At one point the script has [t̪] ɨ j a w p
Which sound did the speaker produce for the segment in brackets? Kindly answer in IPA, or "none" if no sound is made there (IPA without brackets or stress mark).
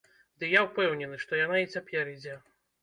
d̪